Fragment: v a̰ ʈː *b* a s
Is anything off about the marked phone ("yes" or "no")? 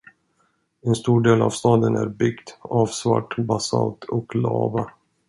no